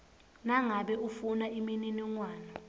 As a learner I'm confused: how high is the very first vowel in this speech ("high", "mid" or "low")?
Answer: low